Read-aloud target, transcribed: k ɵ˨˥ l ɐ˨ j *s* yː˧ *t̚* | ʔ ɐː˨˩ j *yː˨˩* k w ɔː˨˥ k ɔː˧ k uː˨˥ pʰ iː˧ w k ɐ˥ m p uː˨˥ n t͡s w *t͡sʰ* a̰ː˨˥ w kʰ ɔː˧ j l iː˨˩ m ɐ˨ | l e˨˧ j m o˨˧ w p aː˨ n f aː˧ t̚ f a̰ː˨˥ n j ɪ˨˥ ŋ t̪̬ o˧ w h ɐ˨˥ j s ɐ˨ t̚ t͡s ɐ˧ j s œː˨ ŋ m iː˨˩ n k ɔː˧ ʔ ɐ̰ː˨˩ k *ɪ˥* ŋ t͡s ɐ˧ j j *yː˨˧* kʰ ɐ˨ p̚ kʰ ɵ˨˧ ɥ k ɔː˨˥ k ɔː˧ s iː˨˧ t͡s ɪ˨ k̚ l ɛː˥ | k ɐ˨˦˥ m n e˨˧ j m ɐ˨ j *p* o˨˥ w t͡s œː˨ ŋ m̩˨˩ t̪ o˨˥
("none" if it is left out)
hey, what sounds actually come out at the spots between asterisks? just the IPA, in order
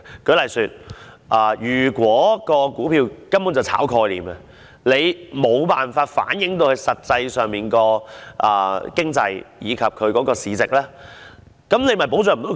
s, t̚, yː˨˩, t͡sʰ, ɪ˥, iː˨˧, p

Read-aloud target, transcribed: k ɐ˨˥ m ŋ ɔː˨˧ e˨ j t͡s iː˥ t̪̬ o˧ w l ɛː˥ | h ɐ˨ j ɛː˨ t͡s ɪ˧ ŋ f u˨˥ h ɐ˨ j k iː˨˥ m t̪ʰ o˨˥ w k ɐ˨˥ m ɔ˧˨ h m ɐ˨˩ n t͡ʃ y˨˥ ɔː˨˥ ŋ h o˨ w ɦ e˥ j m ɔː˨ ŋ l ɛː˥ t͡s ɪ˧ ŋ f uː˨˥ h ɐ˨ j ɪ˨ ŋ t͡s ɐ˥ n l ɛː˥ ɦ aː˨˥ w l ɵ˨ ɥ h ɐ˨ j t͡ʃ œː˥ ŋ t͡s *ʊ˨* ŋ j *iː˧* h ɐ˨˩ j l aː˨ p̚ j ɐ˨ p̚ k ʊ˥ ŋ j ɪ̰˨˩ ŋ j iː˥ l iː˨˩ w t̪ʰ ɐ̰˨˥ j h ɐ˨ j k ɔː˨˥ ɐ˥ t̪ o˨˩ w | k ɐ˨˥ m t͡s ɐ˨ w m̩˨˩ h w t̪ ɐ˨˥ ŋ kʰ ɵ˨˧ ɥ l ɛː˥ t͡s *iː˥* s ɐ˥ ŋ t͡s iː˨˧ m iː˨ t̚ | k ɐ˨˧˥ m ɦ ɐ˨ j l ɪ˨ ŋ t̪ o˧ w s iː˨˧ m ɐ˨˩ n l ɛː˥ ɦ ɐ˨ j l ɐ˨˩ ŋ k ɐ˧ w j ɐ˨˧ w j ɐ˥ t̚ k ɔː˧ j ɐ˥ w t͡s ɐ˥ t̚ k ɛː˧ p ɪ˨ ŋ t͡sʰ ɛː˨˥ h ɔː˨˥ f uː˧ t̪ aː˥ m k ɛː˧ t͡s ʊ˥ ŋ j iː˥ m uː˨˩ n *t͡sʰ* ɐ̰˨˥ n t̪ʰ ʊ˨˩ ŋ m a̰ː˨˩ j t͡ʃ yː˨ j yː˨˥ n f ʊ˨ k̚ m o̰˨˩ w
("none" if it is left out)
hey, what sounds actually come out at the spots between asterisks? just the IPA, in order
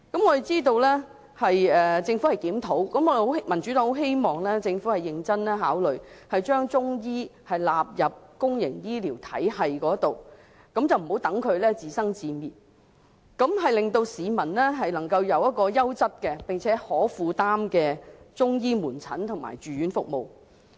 ʊ˥, iː˥, iː˨, t͡sʰ

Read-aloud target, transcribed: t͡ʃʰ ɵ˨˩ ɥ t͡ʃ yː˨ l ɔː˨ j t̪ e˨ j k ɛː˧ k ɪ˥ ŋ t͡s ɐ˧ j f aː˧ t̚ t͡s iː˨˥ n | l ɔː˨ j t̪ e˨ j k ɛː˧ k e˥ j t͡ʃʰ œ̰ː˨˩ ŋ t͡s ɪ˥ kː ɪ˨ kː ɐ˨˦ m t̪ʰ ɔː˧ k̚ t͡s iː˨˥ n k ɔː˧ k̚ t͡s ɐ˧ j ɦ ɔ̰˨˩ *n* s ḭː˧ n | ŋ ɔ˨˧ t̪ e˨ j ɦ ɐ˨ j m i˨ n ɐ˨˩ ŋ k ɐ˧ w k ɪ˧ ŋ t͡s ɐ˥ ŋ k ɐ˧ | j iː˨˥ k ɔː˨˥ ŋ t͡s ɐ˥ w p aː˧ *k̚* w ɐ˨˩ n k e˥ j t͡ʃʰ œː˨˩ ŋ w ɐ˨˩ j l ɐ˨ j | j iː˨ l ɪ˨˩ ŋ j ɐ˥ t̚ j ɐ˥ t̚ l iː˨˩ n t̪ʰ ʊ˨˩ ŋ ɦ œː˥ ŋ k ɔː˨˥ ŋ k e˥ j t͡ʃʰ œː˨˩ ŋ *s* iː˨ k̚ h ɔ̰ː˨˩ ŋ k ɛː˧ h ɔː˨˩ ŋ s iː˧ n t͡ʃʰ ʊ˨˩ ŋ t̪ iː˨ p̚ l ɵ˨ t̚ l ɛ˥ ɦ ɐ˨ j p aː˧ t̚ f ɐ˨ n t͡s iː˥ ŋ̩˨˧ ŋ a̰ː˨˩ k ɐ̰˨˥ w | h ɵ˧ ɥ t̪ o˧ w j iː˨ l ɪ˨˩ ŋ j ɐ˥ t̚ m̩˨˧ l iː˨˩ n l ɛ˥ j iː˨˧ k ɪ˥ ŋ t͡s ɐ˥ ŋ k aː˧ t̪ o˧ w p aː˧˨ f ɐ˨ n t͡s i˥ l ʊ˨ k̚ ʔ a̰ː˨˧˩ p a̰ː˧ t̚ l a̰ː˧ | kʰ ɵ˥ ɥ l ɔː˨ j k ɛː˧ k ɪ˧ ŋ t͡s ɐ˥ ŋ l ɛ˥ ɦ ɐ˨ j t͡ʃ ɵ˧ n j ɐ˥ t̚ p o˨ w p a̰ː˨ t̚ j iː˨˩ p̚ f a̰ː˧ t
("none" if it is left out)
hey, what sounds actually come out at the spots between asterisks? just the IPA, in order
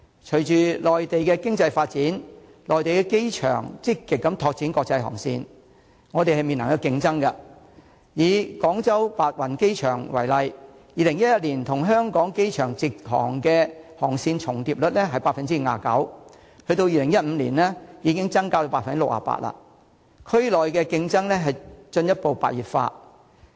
ŋ, t̚, t͡s

